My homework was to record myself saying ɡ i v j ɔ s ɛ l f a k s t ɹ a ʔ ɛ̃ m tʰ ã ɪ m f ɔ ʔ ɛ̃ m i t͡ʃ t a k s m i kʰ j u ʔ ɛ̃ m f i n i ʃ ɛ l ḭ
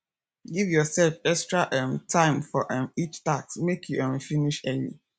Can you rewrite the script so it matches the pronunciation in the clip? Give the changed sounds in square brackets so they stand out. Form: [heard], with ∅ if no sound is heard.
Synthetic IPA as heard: ɡ i v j ɔ s ɛ l f [ɛ] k s t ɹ a ʔ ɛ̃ m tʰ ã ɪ m f ɔ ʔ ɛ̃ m i t͡ʃ t a k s m [e] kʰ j u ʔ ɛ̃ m f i n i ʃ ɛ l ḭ